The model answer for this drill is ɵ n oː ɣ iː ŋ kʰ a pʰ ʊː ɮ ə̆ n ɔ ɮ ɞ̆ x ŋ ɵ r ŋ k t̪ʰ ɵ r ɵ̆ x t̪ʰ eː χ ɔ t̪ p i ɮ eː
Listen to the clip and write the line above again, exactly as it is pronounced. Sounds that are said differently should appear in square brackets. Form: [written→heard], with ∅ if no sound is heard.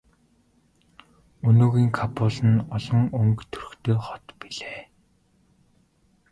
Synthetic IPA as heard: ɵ n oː ɣ iː ŋ kʰ a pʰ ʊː ɮ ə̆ n ɔ ɮ ɞ̆ [x→∅] ŋ ɵ [r→∅] ŋ k t̪ʰ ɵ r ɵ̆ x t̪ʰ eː χ ɔ t̪ p i ɮ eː